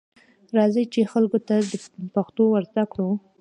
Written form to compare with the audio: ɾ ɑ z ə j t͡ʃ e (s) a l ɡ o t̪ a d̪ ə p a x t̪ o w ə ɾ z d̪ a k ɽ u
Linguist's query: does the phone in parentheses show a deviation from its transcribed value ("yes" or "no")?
yes